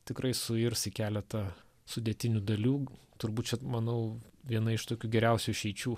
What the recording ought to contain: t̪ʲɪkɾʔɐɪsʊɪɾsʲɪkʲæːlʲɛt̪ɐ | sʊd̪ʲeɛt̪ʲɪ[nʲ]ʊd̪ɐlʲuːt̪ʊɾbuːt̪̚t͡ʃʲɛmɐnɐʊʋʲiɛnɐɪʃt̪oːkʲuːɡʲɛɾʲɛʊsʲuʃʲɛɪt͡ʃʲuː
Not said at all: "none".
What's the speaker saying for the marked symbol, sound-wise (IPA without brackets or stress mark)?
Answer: nʲ